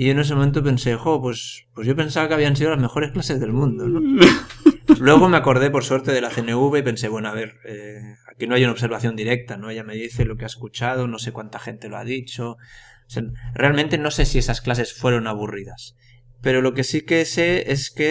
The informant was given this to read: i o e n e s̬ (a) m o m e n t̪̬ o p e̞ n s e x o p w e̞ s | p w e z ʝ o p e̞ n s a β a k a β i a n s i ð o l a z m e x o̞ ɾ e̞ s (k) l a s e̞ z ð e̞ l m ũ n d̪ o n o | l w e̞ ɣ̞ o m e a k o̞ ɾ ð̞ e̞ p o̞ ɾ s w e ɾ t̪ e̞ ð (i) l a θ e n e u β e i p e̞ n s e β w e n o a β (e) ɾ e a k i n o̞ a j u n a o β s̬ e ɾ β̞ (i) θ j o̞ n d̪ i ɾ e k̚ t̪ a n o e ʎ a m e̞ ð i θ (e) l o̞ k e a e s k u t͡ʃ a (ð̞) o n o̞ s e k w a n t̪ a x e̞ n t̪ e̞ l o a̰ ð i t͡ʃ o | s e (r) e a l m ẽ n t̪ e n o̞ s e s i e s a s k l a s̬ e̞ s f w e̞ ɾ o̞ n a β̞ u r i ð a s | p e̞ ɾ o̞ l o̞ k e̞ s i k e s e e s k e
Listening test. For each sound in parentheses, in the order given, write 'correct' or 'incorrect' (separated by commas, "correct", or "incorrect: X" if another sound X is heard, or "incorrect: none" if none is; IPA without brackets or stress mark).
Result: incorrect: e, correct, incorrect: e, correct, incorrect: a, correct, correct, correct